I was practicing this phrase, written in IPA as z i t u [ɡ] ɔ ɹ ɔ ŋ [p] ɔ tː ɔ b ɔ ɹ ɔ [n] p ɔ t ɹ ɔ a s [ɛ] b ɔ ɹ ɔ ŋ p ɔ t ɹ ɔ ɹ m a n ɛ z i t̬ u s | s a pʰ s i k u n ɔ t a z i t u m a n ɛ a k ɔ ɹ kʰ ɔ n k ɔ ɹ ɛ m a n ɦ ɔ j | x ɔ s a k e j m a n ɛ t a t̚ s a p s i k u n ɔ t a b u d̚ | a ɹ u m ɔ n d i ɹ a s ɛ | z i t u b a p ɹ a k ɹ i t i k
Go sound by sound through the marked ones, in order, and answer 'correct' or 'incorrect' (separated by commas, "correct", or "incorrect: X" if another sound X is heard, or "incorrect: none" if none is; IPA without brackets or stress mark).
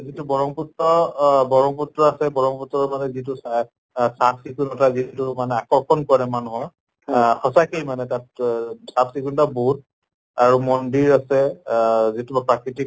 incorrect: b, correct, incorrect: ŋ, correct